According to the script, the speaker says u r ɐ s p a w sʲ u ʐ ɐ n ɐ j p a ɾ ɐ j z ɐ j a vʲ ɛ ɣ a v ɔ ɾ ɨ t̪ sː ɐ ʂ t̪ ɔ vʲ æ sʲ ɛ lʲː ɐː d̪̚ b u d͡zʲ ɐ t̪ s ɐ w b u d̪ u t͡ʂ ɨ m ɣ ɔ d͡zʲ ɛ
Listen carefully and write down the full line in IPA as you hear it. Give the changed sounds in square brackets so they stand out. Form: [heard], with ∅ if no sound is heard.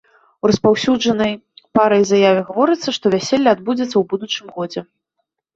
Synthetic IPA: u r ɐ s p a w sʲ u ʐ ɐ n ɐ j p a ɾ ɐ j z [a] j a vʲ ɛ ɣ a v ɔ ɾ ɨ t̪ sː ɐ ʂ t̪ ɔ vʲ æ sʲ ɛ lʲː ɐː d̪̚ b u d͡zʲ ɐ t̪ [sː] ɐ w b u d̪ u t͡ʂ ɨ m ɣ ɔ d͡zʲ ɛ

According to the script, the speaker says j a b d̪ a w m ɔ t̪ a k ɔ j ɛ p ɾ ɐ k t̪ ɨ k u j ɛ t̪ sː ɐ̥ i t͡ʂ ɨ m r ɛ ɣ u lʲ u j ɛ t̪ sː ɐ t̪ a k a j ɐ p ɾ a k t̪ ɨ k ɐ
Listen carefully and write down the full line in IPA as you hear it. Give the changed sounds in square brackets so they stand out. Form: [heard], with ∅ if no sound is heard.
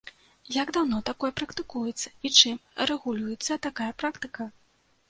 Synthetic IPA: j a [ɡ] d̪ a w [n] ɔ t̪ a k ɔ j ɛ p ɾ ɐ k t̪ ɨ k u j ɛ t̪ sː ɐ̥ i t͡ʂ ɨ m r ɛ ɣ u lʲ u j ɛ t̪ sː ɐ t̪ a k a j ɐ p ɾ a k t̪ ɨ k ɐ

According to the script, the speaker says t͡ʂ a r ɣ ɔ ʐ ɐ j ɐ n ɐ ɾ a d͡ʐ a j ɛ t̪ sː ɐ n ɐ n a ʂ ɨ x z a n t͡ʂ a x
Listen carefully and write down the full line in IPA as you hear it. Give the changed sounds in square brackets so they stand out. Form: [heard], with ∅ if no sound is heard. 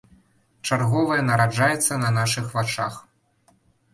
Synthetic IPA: t͡ʂ a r ɣ ɔ [v] ɐ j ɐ n ɐ ɾ a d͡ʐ a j ɛ t̪ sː ɐ n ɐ n a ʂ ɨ x [v] a [∅] t͡ʂ a x

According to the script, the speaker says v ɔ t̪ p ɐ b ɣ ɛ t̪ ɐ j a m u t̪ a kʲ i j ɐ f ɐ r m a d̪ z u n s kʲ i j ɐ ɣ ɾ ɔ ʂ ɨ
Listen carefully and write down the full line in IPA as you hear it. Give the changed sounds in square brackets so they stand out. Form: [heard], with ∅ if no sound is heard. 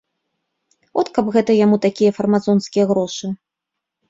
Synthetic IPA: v ɔ t̪ [k] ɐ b ɣ ɛ t̪ ɐ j a m u t̪ a kʲ i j ɐ f ɐ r m a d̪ z [ɔ] n s kʲ i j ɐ ɣ ɾ ɔ ʂ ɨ

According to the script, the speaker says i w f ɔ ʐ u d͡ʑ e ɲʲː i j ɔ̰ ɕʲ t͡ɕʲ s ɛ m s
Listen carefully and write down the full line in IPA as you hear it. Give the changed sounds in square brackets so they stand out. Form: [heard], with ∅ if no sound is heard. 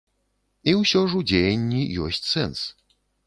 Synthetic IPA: i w [ɕ] ɔ ʐ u d͡ʑ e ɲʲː i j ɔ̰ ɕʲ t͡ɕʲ s ɛ [n] s

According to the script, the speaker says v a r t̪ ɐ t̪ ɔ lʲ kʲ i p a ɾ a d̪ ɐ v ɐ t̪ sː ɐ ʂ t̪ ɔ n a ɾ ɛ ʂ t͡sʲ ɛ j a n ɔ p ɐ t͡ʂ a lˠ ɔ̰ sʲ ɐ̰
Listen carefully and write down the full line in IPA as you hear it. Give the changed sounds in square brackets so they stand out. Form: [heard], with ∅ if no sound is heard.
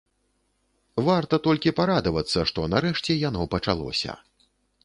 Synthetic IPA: v a r t̪ ɐ t̪ ɔ lʲ kʲ i p a ɾ a d̪ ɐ v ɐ t̪ sː ɐ ʂ t̪ ɔ n a ɾ ɛ ʂ t͡sʲ ɛ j a n ɔ p ɐ t͡ʂ a lˠ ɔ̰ sʲ ɐ̰

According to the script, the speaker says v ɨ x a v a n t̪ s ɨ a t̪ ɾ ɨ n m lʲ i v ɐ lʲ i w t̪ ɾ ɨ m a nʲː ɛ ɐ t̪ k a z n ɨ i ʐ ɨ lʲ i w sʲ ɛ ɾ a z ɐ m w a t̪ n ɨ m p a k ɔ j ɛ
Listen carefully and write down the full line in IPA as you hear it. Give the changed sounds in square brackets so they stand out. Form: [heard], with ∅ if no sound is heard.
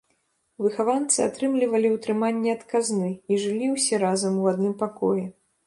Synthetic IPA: v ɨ x a v a n t̪ s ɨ a t̪ ɾ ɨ [∅] m lʲ i v ɐ lʲ i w t̪ ɾ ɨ m a nʲː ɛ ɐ t̪ k a z n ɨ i ʐ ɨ lʲ i w sʲ ɛ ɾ a z ɐ m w a [d̪] n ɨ m p a k ɔ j ɛ

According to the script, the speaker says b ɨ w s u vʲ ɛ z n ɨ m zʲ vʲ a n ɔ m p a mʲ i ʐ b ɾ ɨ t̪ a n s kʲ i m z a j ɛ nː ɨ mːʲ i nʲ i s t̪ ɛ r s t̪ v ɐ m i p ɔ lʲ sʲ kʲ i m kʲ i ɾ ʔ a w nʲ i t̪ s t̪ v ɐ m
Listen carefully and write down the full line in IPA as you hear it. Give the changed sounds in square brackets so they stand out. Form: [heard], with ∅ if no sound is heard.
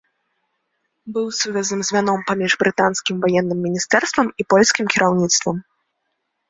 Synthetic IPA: b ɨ w s u vʲ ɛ z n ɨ m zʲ vʲ a n ɔ m p a mʲ i ʐ b ɾ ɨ t̪ a n s kʲ i m [v] a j ɛ nː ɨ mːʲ i nʲ i s t̪ ɛ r s t̪ v ɐ m i p ɔ lʲ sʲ kʲ i m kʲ i ɾ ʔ a w nʲ i t̪ s t̪ v ɐ m

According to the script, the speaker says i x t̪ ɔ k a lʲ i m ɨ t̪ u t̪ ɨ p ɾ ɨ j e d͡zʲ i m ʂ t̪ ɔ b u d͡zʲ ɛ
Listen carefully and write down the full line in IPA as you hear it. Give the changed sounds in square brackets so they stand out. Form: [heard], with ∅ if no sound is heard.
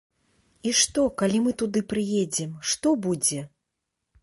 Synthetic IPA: i [ʂ] t̪ ɔ k a lʲ i m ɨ t̪ u [d̪] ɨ p ɾ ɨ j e d͡zʲ [ɛ] m ʂ t̪ ɔ b u d͡zʲ ɛ

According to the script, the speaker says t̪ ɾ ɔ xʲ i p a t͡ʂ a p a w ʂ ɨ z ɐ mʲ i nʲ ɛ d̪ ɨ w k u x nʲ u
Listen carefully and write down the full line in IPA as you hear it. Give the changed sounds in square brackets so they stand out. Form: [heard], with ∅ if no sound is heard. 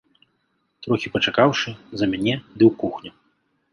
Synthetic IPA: t̪ ɾ ɔ xʲ i p [ɐ] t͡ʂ a [k] a w ʂ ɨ z ɐ mʲ [a] nʲ ɛ d̪ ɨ w k u x nʲ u

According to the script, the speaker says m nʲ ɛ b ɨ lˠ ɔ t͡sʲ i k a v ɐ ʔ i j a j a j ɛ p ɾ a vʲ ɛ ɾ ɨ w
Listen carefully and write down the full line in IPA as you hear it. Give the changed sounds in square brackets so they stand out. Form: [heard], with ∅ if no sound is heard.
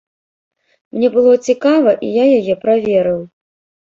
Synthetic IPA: m nʲ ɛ b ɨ lˠ ɔ t͡sʲ i k a v ɐ ʔ i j a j a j ɛ p ɾ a vʲ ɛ ɾ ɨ w

